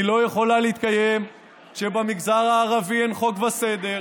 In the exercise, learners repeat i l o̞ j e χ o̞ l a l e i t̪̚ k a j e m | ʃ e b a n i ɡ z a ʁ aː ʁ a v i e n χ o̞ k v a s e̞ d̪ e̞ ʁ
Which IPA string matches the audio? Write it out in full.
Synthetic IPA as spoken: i l o̞ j e χ o̞ l a l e i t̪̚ k a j e m | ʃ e b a m i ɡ z a ʁ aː ʁ a v i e n χ o̞ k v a s e̞ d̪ e̞ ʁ